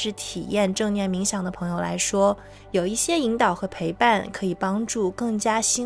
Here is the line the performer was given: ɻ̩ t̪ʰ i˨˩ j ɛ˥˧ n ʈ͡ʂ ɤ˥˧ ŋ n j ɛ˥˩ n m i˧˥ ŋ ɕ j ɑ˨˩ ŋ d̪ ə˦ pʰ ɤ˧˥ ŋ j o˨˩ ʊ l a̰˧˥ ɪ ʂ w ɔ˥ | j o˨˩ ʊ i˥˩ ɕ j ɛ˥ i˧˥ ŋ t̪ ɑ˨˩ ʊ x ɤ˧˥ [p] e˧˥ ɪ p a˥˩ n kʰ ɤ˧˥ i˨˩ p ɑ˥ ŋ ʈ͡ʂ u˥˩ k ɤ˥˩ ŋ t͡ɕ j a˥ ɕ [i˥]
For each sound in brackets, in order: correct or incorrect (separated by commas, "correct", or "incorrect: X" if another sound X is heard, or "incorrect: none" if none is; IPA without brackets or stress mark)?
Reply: incorrect: pʰ, correct